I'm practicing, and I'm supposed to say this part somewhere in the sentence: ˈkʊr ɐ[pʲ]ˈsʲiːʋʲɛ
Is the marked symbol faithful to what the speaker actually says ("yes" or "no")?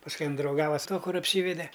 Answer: yes